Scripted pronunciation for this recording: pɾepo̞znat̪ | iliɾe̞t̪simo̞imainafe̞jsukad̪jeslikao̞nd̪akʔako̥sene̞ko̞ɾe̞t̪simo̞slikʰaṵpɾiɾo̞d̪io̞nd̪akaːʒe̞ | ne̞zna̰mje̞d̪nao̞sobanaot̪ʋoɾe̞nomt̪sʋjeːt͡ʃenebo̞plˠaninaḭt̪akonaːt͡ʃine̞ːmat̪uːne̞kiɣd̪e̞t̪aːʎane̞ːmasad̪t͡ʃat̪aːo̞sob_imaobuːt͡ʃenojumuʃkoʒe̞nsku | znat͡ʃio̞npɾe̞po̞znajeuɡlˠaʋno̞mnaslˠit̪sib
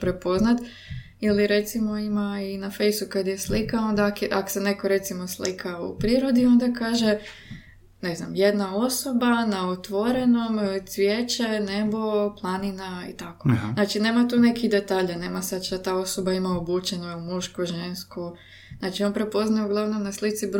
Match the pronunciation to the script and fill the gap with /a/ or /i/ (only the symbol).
a